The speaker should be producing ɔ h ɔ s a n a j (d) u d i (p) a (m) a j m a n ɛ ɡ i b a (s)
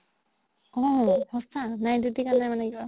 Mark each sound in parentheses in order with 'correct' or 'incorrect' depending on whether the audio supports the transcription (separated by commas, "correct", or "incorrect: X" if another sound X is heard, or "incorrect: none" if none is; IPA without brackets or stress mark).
correct, incorrect: k, incorrect: n, incorrect: none